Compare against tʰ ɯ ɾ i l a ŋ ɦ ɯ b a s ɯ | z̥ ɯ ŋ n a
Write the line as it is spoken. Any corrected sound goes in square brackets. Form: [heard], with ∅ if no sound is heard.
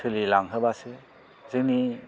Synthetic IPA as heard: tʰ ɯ [l] i l a ŋ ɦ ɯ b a s ɯ | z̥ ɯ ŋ n [i]